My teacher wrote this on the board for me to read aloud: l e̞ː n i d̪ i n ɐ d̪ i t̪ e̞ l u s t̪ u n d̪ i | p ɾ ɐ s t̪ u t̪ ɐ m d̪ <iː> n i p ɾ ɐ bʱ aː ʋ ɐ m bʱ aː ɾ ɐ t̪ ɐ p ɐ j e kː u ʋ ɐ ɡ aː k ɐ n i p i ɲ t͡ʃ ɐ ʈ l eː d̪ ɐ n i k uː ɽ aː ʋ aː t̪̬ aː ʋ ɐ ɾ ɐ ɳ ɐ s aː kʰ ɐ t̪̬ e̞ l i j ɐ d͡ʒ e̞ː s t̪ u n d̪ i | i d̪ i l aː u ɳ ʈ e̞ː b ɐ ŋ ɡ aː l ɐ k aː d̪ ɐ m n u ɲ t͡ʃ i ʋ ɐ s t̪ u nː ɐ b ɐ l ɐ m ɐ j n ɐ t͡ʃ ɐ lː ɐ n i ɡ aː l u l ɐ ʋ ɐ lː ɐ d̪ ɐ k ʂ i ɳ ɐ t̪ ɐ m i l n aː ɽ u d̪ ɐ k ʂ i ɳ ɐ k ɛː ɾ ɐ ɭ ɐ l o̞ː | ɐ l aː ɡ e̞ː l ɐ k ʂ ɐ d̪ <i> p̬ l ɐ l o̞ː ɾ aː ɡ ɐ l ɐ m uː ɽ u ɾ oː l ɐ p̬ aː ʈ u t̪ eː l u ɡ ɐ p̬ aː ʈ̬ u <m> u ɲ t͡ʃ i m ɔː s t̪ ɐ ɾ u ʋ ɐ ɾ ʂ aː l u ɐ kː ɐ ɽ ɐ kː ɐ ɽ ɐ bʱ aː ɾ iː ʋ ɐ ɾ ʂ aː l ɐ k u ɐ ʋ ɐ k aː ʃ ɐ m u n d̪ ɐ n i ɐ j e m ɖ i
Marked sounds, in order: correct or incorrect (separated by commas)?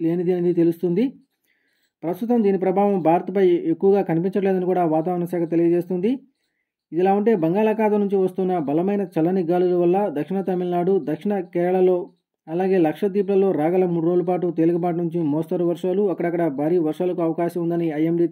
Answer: correct, incorrect, incorrect